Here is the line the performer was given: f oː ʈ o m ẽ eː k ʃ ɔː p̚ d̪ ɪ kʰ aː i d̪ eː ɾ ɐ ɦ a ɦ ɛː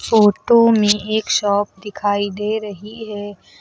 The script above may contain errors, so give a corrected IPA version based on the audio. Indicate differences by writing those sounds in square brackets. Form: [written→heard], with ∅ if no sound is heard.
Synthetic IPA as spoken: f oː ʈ o m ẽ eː k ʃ ɔː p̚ d̪ ɪ kʰ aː i d̪ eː ɾ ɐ ɦ [a→i] ɦ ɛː